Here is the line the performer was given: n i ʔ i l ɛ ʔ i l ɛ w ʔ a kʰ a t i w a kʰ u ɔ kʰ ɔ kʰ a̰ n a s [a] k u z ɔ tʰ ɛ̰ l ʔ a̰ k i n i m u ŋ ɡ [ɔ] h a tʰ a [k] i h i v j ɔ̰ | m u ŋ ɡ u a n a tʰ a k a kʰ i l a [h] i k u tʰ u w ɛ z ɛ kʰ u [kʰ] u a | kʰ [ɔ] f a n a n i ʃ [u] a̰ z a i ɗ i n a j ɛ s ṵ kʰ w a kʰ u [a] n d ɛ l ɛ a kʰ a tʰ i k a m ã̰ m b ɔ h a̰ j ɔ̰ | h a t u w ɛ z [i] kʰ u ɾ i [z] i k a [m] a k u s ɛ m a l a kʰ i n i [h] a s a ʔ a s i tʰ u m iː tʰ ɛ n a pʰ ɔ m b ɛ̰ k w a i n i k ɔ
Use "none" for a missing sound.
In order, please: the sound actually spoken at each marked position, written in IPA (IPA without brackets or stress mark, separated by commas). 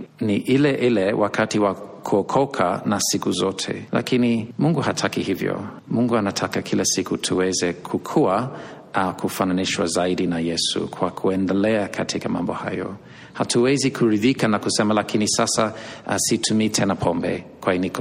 i, u, k, s, kʰ, u, w, ɛ, i, ð, n, s